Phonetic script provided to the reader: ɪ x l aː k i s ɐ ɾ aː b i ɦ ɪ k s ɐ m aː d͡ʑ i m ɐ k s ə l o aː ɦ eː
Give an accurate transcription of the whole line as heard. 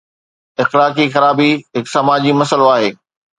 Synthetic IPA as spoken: ɪ x l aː k i x ɐ ɾ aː b i ɦ ɪ k s ɐ m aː d͡ʑ i m ɐ s ə l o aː ɦ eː

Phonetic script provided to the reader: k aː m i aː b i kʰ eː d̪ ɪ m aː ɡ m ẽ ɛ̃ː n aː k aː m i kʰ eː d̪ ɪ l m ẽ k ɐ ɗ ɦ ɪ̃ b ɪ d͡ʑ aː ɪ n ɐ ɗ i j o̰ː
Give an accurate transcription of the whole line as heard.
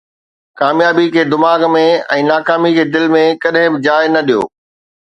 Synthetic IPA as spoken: k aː m j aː b i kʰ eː d̪ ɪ m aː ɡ m ẽ ɛ̃ː n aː k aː m i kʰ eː d̪ ɪ l m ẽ k ɐ ɗ ɦ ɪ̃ b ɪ d͡ʑ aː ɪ n ɐ ɗ i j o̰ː

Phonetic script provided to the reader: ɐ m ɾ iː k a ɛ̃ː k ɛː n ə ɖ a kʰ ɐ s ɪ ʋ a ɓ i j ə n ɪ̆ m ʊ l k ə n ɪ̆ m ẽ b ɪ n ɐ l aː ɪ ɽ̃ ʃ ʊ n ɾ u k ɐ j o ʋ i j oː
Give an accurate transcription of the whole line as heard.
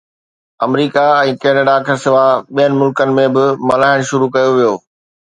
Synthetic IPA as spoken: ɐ m ɾ iː k a ɛ̃ː k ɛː n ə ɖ a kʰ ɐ s ɪ ʋ a ɓ i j ə n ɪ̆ m ʊ l k ə n ɪ̆ m ẽ b ɪ m ɐ l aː ɪ ɽ̃ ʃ ʊ ɾ u k ɐ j o ʋ i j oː

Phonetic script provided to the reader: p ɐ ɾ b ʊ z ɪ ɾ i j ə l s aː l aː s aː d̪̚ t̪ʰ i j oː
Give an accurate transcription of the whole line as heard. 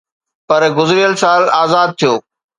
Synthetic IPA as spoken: p ɐ ɾ ɡ ʊ z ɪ ɾ i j ə l s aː l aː z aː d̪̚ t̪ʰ i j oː

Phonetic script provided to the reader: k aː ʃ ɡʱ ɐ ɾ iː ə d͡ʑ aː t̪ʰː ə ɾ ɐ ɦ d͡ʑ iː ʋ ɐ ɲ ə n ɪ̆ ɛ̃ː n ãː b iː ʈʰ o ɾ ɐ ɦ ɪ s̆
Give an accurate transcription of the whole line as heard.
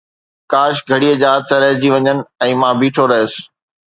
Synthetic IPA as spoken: k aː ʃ ɡʱ ɐ ɽ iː ə d͡ʑ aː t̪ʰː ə ɾ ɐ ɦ d͡ʑ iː ʋ ɐ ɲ ə n ɪ̆ ɛ̃ː m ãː b iː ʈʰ o ɾ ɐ ɦ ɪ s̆

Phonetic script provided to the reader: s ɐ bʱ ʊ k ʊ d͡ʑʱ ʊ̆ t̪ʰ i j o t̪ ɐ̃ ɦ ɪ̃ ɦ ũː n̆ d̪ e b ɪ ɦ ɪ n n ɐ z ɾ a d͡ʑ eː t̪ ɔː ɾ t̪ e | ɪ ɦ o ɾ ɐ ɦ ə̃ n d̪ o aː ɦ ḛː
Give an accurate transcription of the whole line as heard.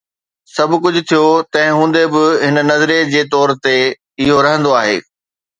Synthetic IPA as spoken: s ɐ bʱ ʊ k ʊ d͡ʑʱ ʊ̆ t̪ʰ i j o t̪ ɐ̃ ɦ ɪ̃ ɦ ũː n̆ d̪ e b ɪ ɦ ɪ n n ɐ z ɾ e d͡ʑ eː t̪ ɔː ɾ t̪ e | ɪ ɦ o ɾ ɐ ɦ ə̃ n d̪ o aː ɦ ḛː

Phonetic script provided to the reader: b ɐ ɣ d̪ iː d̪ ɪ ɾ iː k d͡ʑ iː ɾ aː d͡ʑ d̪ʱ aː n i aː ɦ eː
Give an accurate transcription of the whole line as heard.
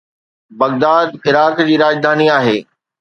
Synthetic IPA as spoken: b ɐ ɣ d̪ aː d̪ ɪ ɾ aː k d͡ʑ iː ɾ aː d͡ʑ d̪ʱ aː n i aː ɦ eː

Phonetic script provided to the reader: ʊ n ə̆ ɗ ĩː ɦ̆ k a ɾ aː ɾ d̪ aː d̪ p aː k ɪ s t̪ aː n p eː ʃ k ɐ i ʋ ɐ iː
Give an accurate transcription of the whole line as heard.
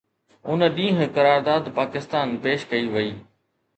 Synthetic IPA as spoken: ʊ n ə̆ ɗ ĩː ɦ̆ k ɐ ɾ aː ɾ d̪ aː d̪ p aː k ɪ s t̪ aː n p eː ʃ k ɐ i ʋ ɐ iː

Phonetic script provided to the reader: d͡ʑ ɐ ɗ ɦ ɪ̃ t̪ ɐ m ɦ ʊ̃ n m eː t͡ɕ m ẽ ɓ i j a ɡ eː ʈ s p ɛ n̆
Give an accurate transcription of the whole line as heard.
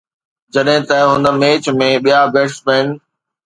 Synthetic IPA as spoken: d͡ʑ ɐ ɗ ɦ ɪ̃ t̪ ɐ ɦ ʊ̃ n m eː t͡ɕ m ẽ ɓ i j a b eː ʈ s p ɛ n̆

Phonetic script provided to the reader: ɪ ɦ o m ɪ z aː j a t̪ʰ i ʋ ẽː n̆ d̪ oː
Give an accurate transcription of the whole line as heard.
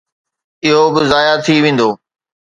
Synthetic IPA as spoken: ɪ ɦ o b ɪ z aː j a t̪ʰ i ʋ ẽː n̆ d̪ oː

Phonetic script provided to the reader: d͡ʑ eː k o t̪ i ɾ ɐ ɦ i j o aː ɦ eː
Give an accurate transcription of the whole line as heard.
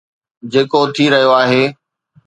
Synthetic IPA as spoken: d͡ʑ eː k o t̪ʰ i ɾ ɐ ɦ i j o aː ɦ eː

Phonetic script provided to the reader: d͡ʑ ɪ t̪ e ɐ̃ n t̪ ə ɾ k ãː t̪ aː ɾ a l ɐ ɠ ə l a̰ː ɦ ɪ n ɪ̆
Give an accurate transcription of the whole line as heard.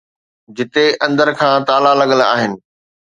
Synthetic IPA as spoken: d͡ʑ ɪ t̪ e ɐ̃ n d̪ ə ɾ kʰ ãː t̪ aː l a l ɐ ɠ ə l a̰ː ɦ ɪ n ɪ̆

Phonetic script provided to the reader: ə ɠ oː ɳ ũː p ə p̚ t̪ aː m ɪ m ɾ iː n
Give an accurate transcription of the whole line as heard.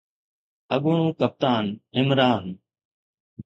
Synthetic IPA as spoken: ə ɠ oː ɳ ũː k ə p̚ t̪ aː n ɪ m ɾ aː n

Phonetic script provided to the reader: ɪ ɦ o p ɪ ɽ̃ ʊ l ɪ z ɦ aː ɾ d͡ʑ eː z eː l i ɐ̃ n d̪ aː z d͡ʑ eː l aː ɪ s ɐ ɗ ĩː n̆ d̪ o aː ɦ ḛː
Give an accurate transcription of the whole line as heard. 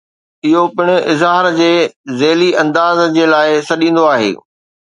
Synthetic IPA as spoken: ɪ ɦ o p ɪ ɽ̃ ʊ ɪ z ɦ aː ɾ d͡ʑ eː z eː l i ɐ̃ n d̪ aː z d͡ʑ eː l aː ɪ s ɐ ɗ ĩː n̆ d̪ o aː ɦ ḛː

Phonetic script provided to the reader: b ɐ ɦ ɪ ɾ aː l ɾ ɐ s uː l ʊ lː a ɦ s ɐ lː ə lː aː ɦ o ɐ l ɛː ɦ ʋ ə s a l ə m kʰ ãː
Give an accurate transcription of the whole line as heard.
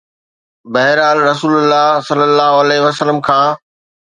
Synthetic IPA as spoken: b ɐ ɦ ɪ ɾ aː l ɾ ɐ s uː l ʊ lː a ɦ s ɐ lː ə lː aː ɦ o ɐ l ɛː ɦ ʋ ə s ə l ə m kʰ ãː

